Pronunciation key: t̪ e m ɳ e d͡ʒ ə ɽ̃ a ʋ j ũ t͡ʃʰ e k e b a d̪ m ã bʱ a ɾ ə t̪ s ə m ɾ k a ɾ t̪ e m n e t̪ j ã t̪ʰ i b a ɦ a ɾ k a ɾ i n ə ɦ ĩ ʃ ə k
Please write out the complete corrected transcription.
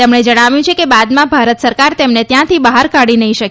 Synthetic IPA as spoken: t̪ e m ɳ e d͡ʒ ə ɽ̃ a ʋ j ũ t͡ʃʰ e k e b a d̪ m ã bʱ a ɾ ə t̪ s ə ɾ k a ɾ t̪ e m n e t̪ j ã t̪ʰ i b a ɦ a ɾ k a ɽ i n ə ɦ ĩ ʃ ə k